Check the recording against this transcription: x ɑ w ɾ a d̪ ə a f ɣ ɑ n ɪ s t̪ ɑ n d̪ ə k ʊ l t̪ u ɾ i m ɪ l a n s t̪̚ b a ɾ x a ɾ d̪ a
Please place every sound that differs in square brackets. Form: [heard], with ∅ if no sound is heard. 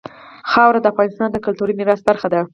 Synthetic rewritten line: x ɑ w ɾ a d̪ ə a f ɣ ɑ n ɪ s t̪ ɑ n d̪ ə k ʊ l t̪ u ɾ i m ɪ [ɾ] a [∅] s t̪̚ b a ɾ x a [∅] d̪ a